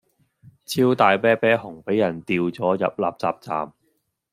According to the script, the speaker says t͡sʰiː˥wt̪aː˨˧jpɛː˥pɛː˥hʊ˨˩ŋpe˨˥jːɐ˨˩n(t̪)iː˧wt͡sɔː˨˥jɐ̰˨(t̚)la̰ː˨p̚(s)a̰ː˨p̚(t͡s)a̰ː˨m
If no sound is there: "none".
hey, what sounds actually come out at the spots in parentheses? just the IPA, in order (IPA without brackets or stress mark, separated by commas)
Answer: t̪, p̚, t͡s, t͡s